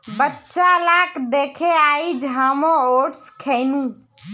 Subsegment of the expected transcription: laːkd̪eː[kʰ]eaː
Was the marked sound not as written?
no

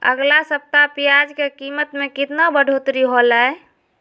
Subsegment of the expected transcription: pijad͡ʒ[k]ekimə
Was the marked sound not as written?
no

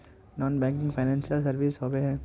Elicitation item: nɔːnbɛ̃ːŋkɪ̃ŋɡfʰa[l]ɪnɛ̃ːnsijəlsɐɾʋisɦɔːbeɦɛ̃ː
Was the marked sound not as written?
yes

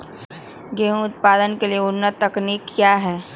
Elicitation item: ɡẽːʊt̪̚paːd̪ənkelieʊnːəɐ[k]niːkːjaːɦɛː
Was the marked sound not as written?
no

